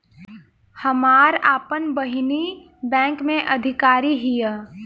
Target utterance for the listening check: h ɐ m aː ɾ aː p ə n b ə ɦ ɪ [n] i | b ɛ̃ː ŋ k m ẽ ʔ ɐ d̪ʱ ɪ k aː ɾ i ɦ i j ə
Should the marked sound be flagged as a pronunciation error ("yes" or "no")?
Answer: no